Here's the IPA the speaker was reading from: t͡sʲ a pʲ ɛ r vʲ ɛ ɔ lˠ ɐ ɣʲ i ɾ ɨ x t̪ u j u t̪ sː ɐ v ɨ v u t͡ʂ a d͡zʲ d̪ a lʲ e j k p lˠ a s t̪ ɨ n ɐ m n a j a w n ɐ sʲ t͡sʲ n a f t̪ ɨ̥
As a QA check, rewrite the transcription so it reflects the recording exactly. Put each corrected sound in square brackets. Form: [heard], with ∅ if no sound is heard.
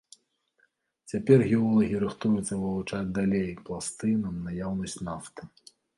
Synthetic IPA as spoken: t͡sʲ a pʲ ɛ r [ɣʲ] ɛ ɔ lˠ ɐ ɣʲ i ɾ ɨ x t̪ u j u t̪ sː ɐ v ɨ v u t͡ʂ a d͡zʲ d̪ a lʲ e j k p lˠ a s t̪ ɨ n ɐ m n a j a w n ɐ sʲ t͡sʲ n a f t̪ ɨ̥